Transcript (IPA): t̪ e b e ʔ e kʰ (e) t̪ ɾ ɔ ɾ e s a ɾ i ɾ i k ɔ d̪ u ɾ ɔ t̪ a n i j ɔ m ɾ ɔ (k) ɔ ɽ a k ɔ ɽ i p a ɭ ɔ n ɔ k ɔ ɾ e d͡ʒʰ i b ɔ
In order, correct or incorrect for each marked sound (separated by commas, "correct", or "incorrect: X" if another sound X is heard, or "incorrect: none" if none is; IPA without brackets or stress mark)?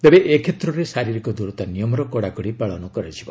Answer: correct, correct